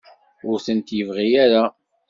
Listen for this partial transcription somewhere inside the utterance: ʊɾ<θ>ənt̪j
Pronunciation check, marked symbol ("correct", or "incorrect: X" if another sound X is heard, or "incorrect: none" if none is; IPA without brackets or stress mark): correct